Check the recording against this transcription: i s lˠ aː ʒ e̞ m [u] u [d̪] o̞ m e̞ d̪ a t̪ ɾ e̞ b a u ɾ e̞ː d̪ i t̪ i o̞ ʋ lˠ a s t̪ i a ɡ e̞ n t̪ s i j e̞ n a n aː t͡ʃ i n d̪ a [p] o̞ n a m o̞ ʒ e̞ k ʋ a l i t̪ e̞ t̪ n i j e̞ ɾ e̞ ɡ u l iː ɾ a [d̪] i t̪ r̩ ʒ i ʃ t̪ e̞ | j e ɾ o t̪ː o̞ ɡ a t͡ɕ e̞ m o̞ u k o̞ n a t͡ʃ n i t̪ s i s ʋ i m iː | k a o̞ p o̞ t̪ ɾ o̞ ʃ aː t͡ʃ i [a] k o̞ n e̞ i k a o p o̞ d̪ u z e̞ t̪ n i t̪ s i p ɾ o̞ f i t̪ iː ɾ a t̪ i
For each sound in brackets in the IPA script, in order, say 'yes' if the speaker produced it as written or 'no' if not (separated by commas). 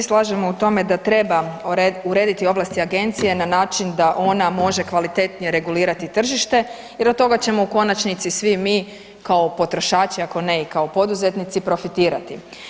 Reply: no, no, no, no, yes